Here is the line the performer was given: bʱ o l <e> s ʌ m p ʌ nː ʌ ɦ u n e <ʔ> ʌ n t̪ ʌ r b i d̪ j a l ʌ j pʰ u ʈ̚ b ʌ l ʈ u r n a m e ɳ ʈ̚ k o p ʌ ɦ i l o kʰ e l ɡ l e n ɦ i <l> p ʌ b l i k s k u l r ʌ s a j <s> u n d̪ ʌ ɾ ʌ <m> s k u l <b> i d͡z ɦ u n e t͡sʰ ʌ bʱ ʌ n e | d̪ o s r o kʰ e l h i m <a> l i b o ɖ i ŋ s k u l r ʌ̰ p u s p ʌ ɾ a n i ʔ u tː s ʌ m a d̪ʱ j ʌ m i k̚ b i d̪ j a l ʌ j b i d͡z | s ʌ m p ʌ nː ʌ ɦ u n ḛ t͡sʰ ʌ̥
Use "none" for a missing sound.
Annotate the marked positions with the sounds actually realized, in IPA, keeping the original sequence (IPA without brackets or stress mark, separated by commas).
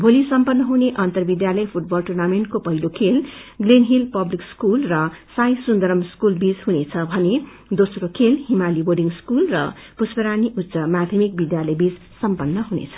i, ʔ, l, s, m, b, a